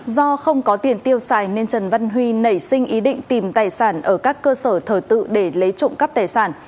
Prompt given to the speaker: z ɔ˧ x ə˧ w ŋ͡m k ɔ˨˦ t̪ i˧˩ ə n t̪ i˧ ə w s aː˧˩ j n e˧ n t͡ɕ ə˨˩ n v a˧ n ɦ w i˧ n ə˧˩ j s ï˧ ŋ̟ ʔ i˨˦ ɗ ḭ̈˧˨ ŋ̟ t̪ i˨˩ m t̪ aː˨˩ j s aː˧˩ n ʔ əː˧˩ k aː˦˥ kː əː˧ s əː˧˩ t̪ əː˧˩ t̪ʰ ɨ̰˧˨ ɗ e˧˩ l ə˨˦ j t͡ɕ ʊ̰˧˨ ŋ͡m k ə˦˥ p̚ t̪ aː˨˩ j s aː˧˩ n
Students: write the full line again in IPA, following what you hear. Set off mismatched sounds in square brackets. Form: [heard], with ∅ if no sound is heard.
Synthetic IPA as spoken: z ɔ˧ x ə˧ w ŋ͡m k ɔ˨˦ t̪ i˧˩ ə n t̪ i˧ ə w s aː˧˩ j n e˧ n t͡ɕ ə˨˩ n v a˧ n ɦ w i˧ n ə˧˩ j s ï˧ ŋ̟ ʔ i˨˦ ɗ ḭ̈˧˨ ŋ̟ t̪ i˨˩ m t̪ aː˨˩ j s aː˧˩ n ʔ əː˧˩ k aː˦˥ kː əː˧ s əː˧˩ [t̪ʰ] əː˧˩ [t̪] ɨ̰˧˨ ɗ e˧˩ l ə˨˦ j t͡ɕ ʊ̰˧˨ ŋ͡m k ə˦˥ p̚ t̪ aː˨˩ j s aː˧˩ n